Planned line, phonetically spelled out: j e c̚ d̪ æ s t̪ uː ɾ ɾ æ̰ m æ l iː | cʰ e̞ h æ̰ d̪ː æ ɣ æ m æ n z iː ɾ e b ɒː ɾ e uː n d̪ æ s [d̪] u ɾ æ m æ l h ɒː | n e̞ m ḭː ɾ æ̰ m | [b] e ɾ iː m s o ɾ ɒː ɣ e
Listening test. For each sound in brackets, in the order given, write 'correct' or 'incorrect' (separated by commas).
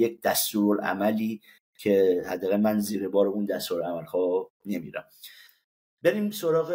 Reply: incorrect, correct